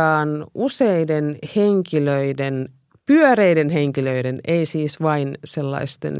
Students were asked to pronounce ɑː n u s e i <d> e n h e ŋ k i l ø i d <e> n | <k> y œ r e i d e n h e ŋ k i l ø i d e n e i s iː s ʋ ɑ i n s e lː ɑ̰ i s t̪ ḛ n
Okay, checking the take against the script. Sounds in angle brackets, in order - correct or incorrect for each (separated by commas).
correct, correct, incorrect